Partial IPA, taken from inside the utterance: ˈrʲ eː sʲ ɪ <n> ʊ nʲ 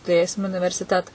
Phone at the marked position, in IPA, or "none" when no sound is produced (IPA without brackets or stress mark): m